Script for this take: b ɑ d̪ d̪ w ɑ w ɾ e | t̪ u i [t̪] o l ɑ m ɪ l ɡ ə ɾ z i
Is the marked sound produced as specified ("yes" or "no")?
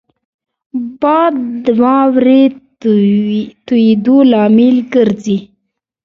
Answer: no